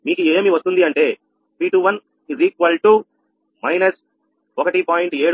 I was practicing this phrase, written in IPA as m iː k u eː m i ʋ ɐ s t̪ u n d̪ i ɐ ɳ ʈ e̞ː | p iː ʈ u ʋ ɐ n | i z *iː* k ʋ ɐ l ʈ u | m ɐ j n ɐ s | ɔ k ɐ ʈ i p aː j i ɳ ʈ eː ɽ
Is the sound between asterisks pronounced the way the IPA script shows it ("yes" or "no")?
yes